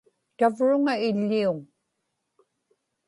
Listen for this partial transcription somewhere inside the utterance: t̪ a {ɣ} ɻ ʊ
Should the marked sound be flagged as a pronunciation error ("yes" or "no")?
yes